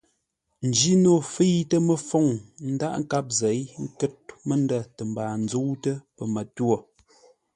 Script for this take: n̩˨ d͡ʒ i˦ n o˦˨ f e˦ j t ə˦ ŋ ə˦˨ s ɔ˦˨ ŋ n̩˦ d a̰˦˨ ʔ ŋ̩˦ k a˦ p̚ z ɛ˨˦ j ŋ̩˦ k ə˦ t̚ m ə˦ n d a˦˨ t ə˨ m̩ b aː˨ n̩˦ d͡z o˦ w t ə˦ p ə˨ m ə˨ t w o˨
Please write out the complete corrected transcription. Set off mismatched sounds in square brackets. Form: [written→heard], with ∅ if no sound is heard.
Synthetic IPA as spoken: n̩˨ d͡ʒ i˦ n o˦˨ f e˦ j t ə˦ [ŋ→m] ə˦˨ [s→f] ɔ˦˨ ŋ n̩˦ d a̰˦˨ ʔ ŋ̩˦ k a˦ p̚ z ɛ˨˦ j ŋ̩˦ k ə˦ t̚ m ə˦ n d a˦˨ t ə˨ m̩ b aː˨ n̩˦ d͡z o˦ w t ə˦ p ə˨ m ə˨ t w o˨